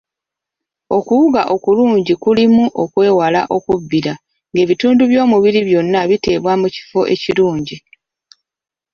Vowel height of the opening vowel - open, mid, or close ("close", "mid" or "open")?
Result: mid